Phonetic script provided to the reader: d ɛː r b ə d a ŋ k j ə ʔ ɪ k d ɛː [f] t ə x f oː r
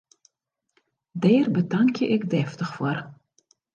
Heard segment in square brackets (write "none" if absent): f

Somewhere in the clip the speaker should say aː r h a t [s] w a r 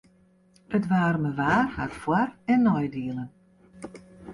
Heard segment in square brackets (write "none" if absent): f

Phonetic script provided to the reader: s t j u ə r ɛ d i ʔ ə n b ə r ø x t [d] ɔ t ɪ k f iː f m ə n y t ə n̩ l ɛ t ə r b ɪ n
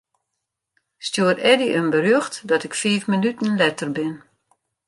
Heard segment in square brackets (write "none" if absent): d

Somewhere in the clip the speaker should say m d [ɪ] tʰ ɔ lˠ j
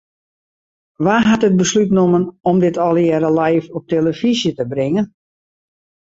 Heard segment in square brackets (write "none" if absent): ɪ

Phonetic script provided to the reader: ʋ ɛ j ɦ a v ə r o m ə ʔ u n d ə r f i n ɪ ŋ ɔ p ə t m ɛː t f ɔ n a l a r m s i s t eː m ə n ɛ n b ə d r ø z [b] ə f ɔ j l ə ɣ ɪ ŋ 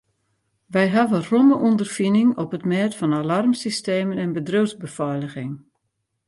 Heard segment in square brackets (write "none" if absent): b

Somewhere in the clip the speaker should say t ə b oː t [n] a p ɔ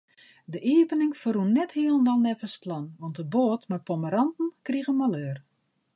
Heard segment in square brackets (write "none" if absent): m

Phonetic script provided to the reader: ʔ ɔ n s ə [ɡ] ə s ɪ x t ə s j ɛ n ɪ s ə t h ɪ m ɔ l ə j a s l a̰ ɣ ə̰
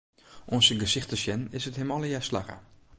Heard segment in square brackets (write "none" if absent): ɡ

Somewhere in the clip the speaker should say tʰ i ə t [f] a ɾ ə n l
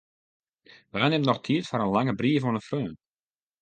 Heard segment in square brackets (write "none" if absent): f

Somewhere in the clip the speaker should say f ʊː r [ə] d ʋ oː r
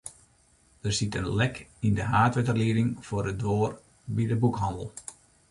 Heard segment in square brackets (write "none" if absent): ə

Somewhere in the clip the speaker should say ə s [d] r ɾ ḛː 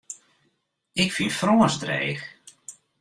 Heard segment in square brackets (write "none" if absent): d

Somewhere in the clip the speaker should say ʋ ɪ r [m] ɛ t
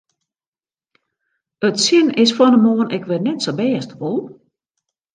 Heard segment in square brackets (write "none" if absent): n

